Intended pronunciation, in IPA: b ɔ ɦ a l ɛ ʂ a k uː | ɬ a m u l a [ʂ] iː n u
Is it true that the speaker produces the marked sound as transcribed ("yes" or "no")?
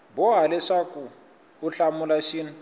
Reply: no